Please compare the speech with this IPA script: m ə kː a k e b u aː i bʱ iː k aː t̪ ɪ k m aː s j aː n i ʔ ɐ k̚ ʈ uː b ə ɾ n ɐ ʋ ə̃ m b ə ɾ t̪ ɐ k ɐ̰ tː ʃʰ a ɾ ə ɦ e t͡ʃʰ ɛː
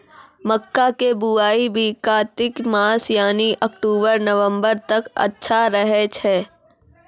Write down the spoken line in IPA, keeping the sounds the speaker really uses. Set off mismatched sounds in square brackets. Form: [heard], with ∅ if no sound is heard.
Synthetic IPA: m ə kː a k e b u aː i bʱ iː k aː t̪ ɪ k m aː s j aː n i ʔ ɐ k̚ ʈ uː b ə ɾ n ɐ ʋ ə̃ m b ə ɾ t̪ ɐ k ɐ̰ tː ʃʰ a ɾ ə ɦ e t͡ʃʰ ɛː